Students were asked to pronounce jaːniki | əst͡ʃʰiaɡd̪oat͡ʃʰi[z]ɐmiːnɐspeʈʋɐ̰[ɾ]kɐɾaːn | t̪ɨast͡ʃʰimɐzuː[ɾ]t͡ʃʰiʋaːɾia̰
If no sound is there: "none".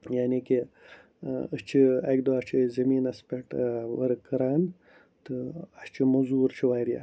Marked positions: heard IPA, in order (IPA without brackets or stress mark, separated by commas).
z, ɾ, ɾ